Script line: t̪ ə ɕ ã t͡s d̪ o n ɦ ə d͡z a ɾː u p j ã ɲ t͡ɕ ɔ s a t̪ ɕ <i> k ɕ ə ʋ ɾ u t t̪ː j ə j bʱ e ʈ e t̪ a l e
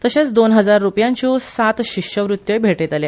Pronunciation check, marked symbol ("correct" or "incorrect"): correct